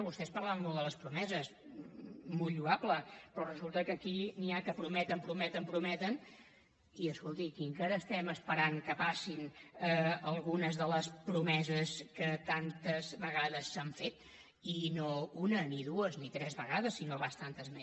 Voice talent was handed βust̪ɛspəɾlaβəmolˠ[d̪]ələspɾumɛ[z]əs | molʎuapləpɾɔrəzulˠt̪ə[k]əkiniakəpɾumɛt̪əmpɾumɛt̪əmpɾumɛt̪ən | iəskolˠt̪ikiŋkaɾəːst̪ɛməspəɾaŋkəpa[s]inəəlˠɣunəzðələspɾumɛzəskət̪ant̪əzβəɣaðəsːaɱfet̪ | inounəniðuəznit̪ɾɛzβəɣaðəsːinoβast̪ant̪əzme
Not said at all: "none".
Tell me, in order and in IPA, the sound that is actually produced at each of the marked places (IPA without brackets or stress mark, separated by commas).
d̪, z, k, s